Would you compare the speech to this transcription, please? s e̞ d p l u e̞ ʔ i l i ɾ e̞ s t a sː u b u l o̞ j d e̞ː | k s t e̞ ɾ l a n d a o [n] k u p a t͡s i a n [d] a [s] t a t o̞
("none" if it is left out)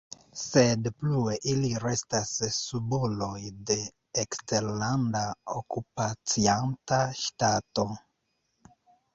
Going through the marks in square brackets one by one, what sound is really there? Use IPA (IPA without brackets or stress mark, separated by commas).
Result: none, t, ʃ